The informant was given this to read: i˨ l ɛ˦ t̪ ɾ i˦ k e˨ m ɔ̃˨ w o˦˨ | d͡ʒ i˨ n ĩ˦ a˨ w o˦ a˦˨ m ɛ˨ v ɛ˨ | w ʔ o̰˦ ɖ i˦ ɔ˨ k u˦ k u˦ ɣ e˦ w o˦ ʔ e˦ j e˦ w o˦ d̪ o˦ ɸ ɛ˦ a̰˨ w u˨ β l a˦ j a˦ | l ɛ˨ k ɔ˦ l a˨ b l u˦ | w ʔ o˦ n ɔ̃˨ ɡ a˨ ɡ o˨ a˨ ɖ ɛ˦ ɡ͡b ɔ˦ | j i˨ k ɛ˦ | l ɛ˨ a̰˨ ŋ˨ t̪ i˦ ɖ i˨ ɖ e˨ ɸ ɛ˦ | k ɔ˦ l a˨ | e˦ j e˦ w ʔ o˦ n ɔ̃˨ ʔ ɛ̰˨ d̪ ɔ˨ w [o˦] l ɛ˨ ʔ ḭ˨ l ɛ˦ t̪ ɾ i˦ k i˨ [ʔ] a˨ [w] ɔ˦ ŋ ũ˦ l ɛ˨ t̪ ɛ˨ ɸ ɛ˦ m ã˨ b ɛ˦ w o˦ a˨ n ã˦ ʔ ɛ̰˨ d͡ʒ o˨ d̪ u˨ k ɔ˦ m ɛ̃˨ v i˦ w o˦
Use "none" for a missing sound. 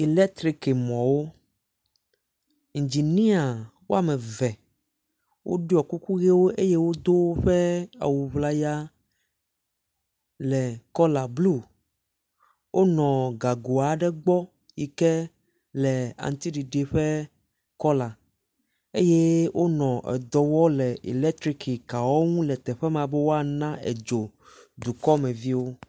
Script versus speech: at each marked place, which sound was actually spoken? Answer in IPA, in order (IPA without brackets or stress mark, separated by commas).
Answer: ɔ˦, k, w